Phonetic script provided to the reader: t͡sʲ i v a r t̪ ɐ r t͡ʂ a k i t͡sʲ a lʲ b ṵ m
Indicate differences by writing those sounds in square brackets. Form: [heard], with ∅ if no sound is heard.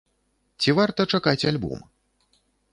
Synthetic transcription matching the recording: t͡sʲ i v a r t̪ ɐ [∅] t͡ʂ a k [a] t͡sʲ a lʲ b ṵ m